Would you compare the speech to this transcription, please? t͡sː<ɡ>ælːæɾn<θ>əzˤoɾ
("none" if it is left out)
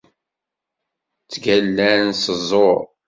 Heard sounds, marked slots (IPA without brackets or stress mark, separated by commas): ɡ, s